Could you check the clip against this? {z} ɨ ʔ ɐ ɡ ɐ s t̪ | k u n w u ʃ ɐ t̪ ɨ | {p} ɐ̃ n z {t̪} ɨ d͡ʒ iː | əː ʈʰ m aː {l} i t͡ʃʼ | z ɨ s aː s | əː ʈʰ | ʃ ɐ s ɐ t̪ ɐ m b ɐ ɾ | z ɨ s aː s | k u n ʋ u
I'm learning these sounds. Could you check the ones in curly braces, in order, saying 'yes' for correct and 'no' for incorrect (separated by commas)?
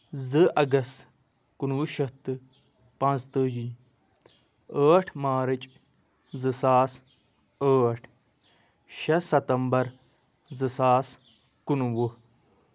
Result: yes, yes, yes, no